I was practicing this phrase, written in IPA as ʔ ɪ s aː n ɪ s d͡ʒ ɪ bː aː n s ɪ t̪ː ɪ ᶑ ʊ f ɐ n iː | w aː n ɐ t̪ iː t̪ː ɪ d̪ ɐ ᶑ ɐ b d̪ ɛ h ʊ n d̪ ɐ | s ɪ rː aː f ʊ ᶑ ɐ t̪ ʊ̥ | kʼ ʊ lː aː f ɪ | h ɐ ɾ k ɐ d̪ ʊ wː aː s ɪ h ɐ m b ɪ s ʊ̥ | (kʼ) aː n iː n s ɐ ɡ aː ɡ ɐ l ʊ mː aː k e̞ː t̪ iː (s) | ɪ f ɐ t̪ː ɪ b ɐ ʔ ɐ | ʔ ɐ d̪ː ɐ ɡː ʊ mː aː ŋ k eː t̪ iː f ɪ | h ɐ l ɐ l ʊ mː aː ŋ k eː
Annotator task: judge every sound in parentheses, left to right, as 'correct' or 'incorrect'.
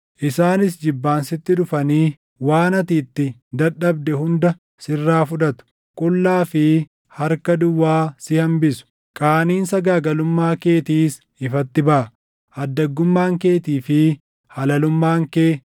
correct, correct

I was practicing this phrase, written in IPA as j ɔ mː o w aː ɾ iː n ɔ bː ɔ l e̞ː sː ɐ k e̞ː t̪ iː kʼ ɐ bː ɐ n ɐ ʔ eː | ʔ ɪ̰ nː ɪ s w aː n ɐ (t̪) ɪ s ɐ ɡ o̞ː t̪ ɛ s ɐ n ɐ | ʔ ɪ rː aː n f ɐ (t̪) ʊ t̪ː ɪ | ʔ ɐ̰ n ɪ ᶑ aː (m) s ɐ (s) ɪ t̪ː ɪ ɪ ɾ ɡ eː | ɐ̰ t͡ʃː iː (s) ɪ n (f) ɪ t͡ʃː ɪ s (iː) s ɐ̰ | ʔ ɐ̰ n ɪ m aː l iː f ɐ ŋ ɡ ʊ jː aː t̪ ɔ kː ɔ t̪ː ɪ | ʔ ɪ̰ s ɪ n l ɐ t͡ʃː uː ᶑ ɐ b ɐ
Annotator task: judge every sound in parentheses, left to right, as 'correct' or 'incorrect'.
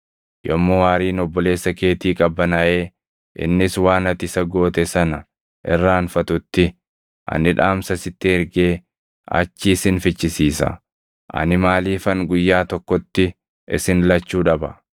correct, correct, correct, correct, correct, correct, correct

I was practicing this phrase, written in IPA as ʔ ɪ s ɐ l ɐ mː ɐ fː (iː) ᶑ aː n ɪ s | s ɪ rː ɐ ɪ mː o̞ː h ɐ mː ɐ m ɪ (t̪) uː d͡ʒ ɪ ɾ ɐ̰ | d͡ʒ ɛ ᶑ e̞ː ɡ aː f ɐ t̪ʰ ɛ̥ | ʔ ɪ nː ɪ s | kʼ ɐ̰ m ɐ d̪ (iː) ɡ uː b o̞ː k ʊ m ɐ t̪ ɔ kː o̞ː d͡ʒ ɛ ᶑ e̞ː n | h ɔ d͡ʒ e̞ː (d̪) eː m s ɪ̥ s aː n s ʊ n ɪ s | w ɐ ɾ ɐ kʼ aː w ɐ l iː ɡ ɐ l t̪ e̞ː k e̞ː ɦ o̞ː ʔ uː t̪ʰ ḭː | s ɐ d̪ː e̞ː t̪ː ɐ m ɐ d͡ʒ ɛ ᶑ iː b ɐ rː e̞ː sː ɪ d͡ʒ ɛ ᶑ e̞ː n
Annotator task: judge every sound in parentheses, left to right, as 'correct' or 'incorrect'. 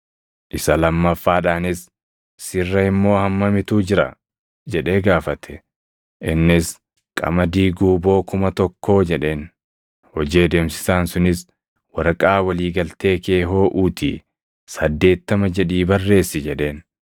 incorrect, correct, correct, correct

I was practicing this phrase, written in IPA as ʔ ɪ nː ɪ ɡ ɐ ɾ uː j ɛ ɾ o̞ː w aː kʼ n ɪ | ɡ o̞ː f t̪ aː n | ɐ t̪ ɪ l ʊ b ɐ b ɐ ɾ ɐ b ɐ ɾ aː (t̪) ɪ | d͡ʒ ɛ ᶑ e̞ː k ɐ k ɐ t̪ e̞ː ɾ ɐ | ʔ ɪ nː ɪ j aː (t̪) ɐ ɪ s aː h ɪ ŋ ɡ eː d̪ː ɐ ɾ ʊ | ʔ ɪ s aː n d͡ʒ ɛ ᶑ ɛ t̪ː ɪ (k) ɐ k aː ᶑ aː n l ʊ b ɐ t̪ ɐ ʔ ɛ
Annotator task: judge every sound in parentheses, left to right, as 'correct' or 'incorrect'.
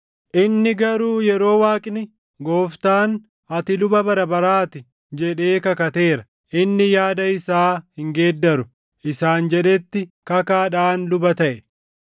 correct, incorrect, correct

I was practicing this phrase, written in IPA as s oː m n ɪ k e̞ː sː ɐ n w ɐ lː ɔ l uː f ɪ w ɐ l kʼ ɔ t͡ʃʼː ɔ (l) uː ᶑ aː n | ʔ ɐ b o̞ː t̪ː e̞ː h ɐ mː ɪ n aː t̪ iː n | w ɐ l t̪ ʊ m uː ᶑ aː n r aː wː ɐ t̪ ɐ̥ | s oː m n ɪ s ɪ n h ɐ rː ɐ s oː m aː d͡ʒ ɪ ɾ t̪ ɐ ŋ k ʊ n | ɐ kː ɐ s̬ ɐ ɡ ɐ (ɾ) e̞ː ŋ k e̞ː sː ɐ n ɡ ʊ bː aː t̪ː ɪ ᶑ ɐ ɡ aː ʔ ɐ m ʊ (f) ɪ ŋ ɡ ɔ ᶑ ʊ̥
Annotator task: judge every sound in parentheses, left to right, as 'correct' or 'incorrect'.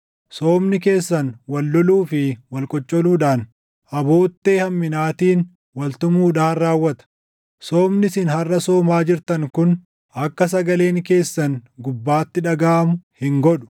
correct, incorrect, incorrect

